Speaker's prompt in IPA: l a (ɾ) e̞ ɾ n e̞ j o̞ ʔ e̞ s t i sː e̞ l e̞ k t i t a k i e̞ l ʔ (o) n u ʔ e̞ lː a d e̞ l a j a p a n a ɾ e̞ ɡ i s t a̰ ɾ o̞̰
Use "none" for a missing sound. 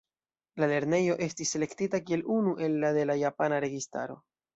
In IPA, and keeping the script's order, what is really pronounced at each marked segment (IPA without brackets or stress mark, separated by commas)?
l, u